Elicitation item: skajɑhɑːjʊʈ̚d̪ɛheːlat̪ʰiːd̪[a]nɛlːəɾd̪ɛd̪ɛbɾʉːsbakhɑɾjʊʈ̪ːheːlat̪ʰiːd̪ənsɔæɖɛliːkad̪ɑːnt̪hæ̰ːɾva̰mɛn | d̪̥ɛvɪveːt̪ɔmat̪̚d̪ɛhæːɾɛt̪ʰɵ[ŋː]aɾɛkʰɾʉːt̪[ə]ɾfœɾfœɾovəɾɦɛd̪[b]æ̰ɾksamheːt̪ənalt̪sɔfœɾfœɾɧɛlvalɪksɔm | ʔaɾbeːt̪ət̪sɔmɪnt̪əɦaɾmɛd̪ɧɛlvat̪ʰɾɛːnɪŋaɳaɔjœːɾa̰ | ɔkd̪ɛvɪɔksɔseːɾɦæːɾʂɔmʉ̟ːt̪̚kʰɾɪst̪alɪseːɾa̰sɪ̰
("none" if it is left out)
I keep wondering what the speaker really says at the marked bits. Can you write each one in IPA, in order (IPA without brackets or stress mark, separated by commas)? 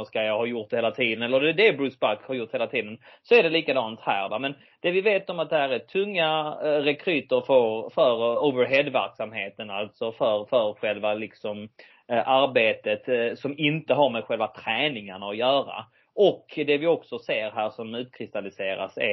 ə, ŋː, ə, v